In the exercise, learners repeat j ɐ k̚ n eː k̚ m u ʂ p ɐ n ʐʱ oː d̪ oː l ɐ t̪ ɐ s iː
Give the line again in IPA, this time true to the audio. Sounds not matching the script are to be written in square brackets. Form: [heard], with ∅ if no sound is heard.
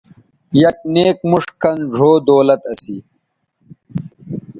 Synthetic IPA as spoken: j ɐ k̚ n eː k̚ m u ʂ [k] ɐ n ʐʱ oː d̪ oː l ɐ t̪ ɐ s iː